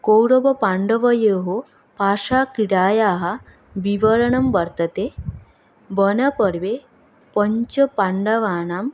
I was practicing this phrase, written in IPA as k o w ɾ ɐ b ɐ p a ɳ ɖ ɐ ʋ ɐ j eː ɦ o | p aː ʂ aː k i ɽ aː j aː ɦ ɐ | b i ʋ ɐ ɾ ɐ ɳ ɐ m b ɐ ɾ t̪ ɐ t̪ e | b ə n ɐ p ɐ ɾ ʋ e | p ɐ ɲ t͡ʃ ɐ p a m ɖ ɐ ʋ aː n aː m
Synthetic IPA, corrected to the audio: k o w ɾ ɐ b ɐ p a ɳ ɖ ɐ ʋ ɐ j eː ɦ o | p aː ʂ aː k i ɽ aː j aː ɦ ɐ | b i ʋ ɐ ɾ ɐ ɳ ɐ m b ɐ ɾ t̪ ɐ t̪ e | b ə n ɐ p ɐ ɾ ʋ e | p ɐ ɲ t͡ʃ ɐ p a ɳ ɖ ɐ ʋ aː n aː m